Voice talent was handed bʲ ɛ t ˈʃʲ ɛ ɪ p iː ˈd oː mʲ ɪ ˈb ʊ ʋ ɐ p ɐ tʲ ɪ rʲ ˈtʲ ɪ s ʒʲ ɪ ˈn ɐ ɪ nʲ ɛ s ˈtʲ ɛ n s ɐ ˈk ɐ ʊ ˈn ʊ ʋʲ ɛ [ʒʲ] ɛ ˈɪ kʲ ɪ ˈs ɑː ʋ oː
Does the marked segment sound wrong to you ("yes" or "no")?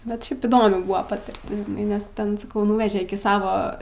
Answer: no